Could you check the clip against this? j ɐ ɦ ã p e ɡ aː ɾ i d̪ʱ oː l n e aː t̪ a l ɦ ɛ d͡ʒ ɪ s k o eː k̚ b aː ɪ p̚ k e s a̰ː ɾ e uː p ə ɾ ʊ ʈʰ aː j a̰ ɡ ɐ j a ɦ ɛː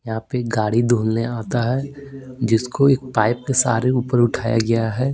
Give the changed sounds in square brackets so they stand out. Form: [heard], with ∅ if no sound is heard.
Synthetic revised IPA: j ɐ ɦ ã p e ɡ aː [ɽ] i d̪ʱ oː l n e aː t̪ a [∅] ɦ ɛ d͡ʒ ɪ s k o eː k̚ [p] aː ɪ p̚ k e s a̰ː ɾ e uː p ə ɾ ʊ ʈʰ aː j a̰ ɡ ɐ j a ɦ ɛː